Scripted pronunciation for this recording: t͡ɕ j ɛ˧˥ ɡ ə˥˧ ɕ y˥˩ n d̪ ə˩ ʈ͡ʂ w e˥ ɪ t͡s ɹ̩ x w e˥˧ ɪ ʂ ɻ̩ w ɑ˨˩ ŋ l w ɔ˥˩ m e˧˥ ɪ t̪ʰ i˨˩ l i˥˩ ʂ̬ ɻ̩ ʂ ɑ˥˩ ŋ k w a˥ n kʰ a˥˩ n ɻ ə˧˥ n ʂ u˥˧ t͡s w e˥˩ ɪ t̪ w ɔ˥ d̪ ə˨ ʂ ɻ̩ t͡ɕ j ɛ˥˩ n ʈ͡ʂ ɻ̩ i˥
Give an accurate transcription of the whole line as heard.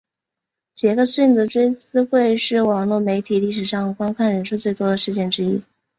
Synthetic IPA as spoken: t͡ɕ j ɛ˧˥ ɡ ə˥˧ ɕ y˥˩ n d̪ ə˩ ʈ͡ʂ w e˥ ɪ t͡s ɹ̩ x w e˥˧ ɪ ʂ ɻ̩ w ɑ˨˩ ŋ l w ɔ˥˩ m e˧˥ ɪ t̪ʰ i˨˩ l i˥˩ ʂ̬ ɻ̩ ʂ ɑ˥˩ ŋ k w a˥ n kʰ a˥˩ n ɻ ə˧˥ n ʂ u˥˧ t͡s w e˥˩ ɪ t̪ w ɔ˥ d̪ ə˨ ʂ ɻ̩ t͡ɕ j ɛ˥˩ n ʈ͡ʂ ɻ̩ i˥